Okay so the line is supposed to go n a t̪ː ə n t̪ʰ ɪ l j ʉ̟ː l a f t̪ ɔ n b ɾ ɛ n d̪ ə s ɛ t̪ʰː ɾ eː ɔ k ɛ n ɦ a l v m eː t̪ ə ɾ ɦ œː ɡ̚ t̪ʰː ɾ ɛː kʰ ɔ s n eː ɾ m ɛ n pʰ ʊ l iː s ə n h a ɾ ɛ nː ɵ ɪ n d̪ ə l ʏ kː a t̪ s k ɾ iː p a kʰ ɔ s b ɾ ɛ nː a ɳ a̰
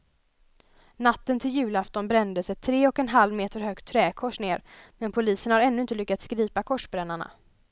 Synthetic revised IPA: n a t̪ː ə n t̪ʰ ɪ l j ʉ̟ː l a f t̪ ɔ n b ɾ ɛ n d̪ ə s ɛ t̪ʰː ɾ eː ɔ k ɛ n ɦ a l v m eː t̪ ə ɾ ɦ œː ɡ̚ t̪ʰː ɾ ɛː kʰ ɔ ʂ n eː ɾ m ɛ n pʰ ʊ l iː s ə n h a ɾ ɛ nː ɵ ɪ n t̪ ə l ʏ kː a t̪ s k ɾ iː p a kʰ ɔ ʂ b ɾ ɛ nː a ɳ a̰